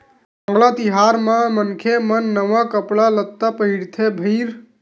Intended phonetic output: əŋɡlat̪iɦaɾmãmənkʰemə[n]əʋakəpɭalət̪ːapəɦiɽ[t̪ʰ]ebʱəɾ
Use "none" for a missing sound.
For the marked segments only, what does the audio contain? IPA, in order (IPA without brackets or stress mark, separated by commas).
nː, t̪ʰ